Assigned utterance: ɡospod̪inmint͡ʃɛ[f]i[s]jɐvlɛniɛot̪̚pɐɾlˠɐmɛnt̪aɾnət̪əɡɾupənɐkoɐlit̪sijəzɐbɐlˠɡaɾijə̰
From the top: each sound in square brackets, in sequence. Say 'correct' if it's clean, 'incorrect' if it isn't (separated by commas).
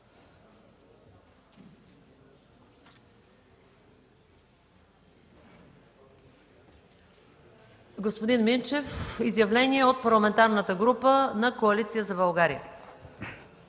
correct, incorrect